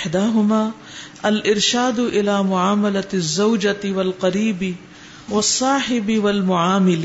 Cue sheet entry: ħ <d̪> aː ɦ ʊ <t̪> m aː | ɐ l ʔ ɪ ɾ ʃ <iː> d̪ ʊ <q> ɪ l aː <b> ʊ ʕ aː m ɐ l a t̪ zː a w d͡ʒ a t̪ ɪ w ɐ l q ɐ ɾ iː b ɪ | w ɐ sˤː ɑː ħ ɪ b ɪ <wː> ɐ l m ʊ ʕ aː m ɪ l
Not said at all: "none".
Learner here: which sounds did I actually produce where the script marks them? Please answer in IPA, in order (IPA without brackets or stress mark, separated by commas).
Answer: d̪, none, aː, ʔ, m, w